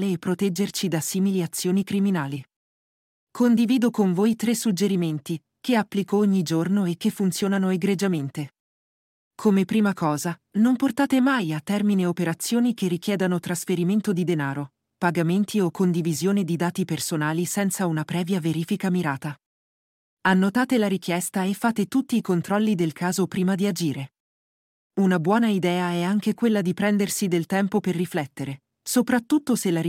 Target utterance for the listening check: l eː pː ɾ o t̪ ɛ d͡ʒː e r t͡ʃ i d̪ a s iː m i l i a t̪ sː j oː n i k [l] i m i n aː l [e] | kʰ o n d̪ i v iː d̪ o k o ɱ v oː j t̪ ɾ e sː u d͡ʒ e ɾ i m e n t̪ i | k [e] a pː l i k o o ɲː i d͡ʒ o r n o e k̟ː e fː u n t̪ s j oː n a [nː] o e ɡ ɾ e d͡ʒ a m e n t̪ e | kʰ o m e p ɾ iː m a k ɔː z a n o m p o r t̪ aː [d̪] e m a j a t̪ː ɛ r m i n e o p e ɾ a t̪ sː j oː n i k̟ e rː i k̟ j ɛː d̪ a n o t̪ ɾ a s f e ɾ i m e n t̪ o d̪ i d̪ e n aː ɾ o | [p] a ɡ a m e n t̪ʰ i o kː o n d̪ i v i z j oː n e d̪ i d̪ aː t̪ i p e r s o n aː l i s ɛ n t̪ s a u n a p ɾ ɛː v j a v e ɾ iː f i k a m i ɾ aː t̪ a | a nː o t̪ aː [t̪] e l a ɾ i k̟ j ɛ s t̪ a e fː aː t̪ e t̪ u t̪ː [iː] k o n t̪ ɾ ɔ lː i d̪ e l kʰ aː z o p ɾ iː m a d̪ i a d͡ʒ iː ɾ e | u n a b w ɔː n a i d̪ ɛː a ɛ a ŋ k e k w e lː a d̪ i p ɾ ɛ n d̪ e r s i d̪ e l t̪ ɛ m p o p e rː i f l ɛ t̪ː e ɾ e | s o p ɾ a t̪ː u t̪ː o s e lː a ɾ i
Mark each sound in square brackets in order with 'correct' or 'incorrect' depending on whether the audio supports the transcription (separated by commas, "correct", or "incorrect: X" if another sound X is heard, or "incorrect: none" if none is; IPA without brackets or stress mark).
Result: incorrect: ɾ, incorrect: i, correct, incorrect: n, incorrect: t̪, correct, correct, correct